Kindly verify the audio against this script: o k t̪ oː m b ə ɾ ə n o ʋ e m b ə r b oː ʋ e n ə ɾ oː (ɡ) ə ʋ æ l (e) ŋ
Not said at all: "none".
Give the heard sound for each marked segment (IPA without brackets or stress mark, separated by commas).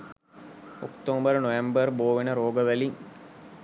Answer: ɡ, i